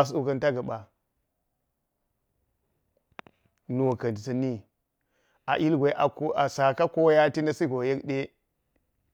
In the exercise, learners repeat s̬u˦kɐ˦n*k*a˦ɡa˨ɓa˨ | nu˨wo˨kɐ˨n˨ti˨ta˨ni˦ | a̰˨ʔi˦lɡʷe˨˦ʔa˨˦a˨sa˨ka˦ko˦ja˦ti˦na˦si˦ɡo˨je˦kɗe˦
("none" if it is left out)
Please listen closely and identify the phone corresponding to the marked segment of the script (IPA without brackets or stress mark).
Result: t